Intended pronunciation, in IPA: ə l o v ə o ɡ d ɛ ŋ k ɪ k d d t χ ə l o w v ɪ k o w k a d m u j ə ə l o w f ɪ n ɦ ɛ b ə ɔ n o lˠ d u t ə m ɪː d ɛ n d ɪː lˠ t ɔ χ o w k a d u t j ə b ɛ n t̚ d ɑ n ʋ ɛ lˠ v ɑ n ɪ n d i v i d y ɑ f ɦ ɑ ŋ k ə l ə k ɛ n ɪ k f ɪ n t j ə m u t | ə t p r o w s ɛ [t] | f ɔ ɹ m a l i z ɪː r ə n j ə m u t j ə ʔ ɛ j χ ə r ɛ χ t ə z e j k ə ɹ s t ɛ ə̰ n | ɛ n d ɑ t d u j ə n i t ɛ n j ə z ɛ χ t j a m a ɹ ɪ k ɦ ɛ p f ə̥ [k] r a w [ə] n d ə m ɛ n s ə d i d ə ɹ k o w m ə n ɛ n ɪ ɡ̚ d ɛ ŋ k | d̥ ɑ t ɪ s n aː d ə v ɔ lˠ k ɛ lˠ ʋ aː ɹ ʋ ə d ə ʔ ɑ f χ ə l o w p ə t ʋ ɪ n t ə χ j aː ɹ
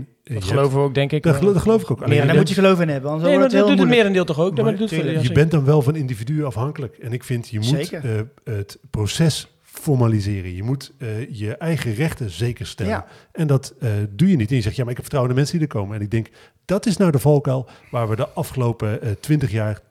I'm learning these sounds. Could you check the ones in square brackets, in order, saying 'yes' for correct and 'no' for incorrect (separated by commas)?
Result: no, no, yes